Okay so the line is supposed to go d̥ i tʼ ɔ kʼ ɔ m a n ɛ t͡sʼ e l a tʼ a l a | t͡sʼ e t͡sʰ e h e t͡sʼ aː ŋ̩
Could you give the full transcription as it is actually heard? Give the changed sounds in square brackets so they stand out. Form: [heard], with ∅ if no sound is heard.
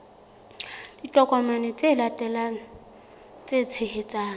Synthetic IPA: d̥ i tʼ ɔ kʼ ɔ m a n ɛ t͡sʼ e l a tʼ [ɛ] l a | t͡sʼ e t͡sʰ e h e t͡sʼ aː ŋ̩